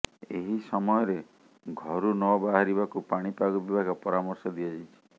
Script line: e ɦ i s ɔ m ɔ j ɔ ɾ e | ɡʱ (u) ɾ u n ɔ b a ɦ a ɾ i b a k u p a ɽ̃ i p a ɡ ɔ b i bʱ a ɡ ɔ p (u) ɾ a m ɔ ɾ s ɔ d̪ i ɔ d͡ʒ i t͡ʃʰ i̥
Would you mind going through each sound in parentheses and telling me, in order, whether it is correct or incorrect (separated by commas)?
incorrect, incorrect